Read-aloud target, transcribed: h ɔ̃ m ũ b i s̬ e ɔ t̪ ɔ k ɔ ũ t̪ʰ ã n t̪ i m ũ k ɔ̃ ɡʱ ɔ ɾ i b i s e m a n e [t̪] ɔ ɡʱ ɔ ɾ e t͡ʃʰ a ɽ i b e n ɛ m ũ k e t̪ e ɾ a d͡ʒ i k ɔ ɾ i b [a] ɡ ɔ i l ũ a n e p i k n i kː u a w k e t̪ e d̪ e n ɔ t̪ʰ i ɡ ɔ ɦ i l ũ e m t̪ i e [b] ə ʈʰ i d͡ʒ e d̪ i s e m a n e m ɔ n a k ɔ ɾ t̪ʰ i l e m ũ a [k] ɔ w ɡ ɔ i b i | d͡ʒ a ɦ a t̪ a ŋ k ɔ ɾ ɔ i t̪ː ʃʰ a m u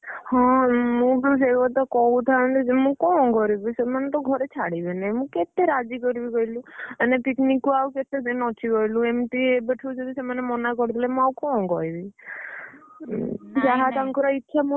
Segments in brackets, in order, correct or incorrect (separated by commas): correct, incorrect, correct, correct